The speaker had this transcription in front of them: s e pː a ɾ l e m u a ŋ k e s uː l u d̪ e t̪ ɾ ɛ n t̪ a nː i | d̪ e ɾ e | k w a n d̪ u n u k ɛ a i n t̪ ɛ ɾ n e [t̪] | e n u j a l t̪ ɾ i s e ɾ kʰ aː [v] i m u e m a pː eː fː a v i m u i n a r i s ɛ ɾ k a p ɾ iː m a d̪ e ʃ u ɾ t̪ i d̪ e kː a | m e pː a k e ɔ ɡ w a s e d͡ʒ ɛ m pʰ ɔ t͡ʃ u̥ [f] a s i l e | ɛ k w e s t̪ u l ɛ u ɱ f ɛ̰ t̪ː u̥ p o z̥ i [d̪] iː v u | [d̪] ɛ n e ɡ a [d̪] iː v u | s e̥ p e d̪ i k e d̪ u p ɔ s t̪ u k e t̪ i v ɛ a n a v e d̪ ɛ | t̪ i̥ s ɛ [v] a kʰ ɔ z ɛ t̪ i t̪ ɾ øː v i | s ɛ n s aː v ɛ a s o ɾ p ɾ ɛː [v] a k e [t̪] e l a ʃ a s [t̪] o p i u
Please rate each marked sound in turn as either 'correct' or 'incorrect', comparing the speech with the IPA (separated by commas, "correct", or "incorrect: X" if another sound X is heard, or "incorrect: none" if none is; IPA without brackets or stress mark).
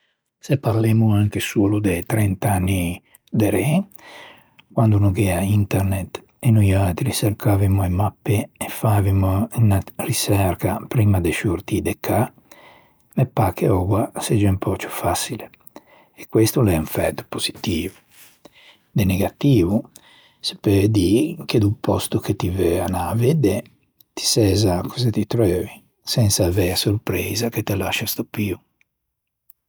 correct, correct, correct, incorrect: t̪, correct, incorrect: t̪, incorrect: z, incorrect: z, correct, correct